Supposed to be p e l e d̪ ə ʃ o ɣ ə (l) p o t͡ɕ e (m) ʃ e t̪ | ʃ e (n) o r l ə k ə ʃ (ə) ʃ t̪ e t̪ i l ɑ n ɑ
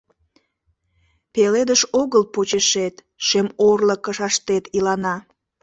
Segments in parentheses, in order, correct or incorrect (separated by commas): correct, incorrect, incorrect, incorrect